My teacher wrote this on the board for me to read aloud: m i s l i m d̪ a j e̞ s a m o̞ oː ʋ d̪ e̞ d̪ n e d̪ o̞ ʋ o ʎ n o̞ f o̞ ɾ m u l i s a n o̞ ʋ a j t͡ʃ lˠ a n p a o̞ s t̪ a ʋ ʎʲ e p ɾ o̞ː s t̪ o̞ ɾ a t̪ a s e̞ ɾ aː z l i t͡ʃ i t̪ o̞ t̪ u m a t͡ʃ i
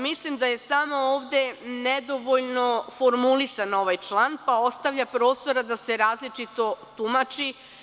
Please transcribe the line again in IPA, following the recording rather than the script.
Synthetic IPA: m i s l i m d̪ a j e̞ s a m o̞ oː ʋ d̪ e̞ n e d̪ o̞ ʋ o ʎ n o̞ f o̞ ɾ m u l i s a n o̞ ʋ a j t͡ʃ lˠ a n p a o̞ s t̪ a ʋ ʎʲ a p ɾ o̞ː s t̪ o̞ ɾ a d̪ a s e̞ ɾ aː z l i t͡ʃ i t̪ o̞ t̪ u m a t͡ʃ i